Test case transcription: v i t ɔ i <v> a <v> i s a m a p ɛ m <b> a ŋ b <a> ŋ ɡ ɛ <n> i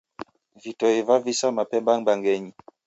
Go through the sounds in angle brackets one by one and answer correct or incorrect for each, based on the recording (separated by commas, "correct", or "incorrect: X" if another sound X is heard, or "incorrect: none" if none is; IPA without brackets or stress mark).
correct, correct, correct, correct, incorrect: ɲ